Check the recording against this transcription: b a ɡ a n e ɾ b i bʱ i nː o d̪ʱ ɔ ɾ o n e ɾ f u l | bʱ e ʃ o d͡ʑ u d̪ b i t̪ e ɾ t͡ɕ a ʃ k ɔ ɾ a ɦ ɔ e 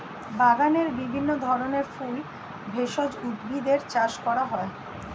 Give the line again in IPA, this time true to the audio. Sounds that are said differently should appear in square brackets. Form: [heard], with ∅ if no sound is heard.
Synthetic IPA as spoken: b a ɡ a n e ɾ b i bʱ i nː o d̪ʱ ɔ ɾ o n e ɾ f u l | bʱ e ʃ o d͡ʑ u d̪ b i [d̪] e ɾ t͡ɕ a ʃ k ɔ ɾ a ɦ ɔ e